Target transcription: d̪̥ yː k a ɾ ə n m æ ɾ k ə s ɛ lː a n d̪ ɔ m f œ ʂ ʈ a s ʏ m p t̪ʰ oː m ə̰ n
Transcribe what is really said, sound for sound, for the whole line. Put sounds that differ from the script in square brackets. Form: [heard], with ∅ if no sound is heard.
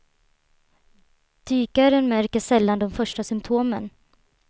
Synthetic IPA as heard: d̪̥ yː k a ɾ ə n m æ ɾ k ə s ɛ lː a n d̪ ɔ m f œ ʂ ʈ a s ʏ m p t̪ʰ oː m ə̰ n